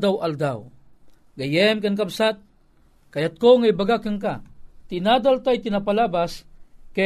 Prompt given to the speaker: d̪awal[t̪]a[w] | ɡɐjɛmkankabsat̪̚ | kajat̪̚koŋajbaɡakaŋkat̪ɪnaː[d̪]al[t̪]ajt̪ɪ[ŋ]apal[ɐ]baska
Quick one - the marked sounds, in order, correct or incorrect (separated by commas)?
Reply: incorrect, correct, correct, correct, incorrect, incorrect